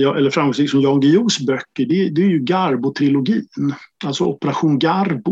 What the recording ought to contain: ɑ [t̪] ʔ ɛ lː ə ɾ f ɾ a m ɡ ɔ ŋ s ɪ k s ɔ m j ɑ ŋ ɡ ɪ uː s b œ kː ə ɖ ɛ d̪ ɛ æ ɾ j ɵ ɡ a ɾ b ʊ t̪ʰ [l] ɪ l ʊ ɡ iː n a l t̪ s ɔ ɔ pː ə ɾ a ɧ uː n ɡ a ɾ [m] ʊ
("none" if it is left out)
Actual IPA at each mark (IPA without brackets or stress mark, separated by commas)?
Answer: none, ɾ, b